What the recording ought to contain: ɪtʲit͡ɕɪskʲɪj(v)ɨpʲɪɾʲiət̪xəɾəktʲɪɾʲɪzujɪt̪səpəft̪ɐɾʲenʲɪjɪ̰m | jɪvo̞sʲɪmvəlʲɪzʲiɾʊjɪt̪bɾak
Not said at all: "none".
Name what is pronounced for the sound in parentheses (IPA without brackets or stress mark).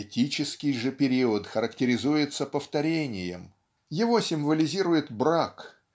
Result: ʐ